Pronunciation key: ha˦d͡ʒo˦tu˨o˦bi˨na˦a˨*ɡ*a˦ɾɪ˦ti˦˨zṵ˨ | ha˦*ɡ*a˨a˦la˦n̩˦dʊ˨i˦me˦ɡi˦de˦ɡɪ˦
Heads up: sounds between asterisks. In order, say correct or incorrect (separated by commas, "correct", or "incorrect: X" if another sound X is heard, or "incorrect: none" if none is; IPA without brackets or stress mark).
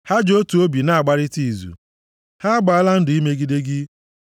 incorrect: ɡ͡b, incorrect: ɡ͡b